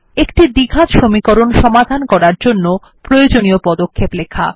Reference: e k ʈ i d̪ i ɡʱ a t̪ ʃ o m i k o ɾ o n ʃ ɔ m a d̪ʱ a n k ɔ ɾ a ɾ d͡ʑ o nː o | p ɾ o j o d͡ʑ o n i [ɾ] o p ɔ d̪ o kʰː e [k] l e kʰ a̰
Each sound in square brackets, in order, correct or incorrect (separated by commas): incorrect, incorrect